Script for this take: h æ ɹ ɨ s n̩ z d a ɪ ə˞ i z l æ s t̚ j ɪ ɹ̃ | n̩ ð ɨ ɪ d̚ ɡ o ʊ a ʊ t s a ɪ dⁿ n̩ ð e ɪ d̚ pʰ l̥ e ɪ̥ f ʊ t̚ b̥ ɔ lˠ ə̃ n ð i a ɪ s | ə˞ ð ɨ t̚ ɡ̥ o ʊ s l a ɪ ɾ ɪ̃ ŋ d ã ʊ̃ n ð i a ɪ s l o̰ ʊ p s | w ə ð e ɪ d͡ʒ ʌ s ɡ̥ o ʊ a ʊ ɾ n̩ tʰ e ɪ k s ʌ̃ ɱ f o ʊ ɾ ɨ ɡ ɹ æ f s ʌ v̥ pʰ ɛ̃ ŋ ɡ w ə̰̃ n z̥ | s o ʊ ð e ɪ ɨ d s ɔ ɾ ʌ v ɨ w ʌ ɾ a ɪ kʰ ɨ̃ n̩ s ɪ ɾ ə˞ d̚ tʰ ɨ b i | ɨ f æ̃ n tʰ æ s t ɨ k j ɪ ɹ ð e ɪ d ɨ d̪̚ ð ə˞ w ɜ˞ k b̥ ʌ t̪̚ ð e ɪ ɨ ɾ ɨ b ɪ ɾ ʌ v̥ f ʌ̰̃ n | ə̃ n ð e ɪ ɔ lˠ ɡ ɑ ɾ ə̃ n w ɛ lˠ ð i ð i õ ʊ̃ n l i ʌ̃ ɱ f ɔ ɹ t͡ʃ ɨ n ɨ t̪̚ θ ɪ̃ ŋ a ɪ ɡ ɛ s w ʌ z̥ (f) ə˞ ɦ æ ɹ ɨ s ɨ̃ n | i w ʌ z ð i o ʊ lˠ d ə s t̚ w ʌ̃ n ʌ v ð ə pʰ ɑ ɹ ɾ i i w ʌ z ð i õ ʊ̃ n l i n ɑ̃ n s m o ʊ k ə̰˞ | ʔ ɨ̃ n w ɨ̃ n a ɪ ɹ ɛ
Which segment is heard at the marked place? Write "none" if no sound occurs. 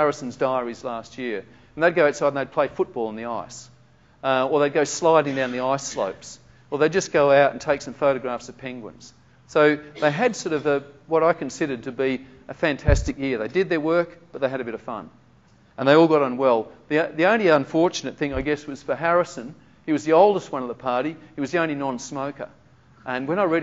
f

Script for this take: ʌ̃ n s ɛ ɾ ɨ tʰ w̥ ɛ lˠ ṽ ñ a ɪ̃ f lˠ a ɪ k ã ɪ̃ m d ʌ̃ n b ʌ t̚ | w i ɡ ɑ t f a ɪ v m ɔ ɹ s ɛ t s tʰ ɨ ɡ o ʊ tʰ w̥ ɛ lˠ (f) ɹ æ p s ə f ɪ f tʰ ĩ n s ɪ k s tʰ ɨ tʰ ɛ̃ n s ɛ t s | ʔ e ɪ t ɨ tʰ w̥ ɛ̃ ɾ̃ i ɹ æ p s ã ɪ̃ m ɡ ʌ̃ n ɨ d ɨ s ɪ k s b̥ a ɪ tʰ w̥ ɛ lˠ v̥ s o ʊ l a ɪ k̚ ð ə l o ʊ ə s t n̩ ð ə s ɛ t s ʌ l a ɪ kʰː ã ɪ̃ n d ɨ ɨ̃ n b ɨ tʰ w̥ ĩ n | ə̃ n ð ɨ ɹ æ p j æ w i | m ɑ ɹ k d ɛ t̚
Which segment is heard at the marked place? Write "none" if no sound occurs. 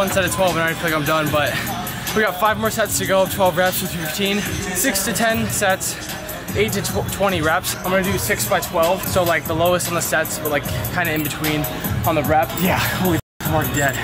v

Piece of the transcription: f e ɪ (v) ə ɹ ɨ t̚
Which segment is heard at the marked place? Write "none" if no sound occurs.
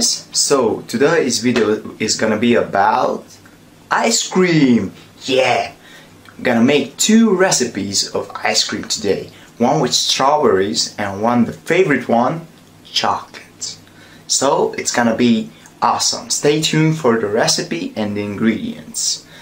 v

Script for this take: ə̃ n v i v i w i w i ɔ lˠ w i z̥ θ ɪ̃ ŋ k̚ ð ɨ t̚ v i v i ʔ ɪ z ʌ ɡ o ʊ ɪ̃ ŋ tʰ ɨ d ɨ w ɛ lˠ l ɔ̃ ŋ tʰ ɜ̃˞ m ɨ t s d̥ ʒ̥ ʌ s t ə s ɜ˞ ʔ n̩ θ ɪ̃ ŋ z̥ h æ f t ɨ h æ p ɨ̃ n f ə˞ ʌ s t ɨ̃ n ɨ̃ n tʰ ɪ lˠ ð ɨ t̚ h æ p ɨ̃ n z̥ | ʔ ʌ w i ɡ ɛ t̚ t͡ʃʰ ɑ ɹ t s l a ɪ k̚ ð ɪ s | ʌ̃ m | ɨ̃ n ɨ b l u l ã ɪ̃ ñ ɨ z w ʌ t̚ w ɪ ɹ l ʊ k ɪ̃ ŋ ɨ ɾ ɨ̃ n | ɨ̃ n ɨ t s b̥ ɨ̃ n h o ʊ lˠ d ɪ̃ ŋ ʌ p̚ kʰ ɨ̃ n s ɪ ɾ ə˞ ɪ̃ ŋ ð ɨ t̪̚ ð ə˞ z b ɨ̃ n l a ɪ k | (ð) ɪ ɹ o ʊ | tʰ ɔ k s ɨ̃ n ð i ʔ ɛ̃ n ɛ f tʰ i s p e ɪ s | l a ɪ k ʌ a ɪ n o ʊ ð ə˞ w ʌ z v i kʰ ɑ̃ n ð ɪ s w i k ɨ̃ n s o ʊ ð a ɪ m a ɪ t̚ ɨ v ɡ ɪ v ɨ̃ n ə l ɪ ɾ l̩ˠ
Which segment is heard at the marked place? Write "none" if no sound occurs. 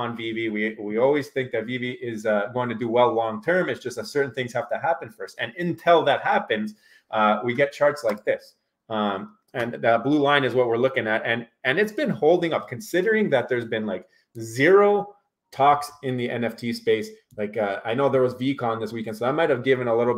z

